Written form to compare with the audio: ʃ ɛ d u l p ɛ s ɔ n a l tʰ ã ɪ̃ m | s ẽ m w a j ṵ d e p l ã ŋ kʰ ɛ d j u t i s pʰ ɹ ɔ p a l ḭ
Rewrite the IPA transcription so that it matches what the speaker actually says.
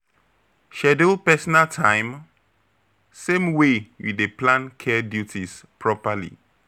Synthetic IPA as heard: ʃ ɛ d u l p ɛ s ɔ n a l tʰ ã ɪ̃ m | s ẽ m w e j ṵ d e p l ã n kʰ ɛ d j u t i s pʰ ɹ ɔ p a l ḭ